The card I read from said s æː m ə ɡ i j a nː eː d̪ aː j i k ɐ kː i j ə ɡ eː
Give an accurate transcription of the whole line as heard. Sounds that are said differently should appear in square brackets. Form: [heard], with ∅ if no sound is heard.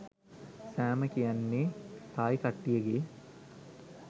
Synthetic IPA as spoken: s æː m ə [k] i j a nː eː [t̪] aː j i k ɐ [ʈː] i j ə ɡ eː